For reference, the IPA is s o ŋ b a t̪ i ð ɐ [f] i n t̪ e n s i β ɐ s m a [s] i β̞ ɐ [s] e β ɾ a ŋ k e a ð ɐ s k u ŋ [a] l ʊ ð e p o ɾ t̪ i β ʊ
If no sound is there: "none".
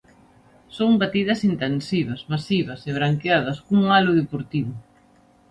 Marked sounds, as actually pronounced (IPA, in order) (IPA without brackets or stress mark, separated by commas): s, s, s, a